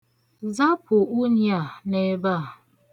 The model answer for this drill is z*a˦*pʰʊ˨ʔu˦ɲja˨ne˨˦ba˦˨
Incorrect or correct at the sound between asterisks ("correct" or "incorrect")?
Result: correct